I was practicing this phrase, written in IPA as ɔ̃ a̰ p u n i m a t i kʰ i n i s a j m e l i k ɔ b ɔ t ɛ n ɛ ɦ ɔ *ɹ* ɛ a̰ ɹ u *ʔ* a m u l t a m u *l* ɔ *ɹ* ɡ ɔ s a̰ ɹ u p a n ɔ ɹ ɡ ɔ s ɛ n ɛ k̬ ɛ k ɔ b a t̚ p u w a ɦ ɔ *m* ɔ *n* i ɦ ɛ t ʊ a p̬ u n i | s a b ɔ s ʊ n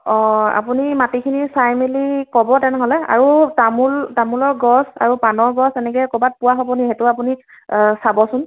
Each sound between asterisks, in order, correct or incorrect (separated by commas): incorrect, incorrect, correct, correct, incorrect, correct